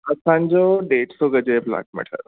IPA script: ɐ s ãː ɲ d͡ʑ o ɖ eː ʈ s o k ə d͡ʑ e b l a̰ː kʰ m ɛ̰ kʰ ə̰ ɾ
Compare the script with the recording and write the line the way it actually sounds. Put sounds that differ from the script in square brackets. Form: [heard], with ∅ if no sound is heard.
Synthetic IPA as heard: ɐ s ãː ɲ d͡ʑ o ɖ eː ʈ s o [ɡ] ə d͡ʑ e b l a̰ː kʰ m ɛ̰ [ʈʰ] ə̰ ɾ

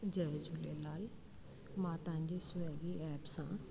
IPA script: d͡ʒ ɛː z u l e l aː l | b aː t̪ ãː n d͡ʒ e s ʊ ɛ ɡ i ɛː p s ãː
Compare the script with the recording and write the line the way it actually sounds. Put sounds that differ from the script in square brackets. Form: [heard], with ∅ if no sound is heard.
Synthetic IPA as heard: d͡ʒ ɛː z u l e l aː l | [m] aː t̪ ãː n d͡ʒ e s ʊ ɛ ɡ i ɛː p s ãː

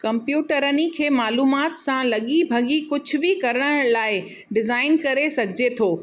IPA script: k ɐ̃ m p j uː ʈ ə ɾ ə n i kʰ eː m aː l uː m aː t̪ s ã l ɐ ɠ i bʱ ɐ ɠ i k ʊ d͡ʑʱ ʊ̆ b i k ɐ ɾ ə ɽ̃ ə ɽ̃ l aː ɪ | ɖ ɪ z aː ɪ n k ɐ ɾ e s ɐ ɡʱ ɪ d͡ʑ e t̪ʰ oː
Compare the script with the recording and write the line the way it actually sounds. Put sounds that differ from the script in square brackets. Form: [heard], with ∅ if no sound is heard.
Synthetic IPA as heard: k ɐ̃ m p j uː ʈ ə ɾ ə n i kʰ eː m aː l uː m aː t̪ s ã l ɐ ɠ i bʱ ɐ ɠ i k ʊ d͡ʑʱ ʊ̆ b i k ɐ ɾ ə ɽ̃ ə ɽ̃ l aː ɪ | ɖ ɪ z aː ɪ n k ɐ ɾ e s ɐ ɡʱ ɪ d͡ʑ e t̪ʰ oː

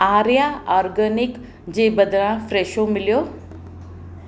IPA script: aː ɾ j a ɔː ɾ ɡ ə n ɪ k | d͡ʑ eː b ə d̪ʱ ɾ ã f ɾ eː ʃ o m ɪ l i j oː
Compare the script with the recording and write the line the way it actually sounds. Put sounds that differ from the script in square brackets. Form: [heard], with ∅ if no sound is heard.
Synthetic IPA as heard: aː ɾ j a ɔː ɾ ɡ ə n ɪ k | d͡ʑ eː b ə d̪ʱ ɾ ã f ɾ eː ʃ o m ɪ l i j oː

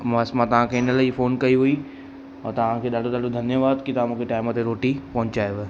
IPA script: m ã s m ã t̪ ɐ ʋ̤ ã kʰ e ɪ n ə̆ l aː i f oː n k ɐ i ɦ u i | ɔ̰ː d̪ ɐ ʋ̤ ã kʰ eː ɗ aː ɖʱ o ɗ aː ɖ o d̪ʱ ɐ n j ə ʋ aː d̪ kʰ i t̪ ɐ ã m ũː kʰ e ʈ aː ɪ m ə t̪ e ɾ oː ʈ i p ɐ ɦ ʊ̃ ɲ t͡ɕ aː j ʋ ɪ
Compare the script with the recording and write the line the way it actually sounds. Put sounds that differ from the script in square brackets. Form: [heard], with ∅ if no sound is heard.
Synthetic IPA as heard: m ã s m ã t̪ ɐ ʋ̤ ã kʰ e ɪ n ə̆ l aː i f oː n k ɐ i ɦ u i | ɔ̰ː [t̪] ɐ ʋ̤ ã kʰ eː ɗ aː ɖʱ o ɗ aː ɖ o d̪ʱ ɐ n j ə ʋ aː d̪ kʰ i t̪ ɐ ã m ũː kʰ e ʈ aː ɪ m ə t̪ e ɾ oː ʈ i p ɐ ɦ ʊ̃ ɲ t͡ɕ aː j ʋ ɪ

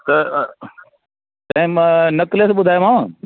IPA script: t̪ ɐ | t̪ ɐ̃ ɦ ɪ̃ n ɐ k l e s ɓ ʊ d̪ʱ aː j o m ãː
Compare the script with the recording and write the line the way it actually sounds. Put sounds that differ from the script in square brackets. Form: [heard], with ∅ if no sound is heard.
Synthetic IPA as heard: t̪ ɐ | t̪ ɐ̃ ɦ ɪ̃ n ɐ k l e s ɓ ʊ d̪ʱ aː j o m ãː

